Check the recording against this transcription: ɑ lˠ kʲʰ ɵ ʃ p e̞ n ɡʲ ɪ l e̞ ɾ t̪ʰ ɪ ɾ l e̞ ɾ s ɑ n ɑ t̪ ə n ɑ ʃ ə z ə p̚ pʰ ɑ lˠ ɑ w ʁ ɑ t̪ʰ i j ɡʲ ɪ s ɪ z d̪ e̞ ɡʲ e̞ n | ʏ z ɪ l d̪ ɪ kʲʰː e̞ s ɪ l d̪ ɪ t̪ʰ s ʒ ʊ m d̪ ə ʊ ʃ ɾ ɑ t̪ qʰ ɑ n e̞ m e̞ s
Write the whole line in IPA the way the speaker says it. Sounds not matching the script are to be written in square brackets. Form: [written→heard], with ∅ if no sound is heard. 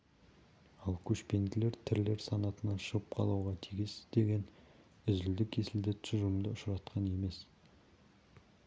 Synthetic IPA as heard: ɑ lˠ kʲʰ ɵ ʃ p e̞ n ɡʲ ɪ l e̞ ɾ t̪ʰ ɪ ɾ l e̞ ɾ s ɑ n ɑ t̪ ə n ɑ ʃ ə [z→ʁ] ə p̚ [pʰ→qʰ] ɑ lˠ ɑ w ʁ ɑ t̪ʰ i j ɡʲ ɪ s ɪ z d̪ e̞ ɡʲ e̞ n | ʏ z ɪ l d̪ ɪ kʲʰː e̞ s ɪ l d̪ ɪ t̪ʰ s ʒ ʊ m d̪ ə ʊ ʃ ɾ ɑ t̪ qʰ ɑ n e̞ m e̞ s